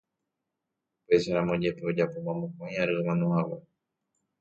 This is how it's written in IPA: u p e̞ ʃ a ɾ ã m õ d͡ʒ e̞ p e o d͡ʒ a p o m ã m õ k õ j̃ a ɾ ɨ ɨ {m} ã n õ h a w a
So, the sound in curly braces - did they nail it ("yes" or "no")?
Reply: yes